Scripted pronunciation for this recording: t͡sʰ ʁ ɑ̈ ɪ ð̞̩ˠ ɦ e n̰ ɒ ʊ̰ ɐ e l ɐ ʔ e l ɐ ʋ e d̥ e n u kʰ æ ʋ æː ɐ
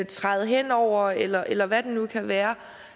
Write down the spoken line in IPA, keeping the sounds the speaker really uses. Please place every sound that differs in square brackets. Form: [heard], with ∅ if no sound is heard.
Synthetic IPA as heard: t͡sʰ ʁ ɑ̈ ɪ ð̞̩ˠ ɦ e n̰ ɒ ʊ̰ ɐ e l ɐ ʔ e l ɐ ʋ [æ] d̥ e n u kʰ æ ʋ æː ɐ